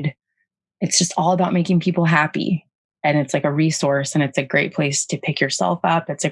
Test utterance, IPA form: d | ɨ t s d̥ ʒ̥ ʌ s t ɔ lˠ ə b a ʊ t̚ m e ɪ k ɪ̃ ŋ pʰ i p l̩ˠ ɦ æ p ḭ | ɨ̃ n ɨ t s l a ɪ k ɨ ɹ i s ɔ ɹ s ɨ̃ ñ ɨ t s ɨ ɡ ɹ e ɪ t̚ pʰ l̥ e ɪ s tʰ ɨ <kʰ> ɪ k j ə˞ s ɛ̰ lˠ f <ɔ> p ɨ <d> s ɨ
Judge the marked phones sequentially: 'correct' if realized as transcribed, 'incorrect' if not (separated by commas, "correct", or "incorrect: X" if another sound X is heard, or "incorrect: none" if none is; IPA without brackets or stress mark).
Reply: incorrect: pʰ, incorrect: ʌ, incorrect: t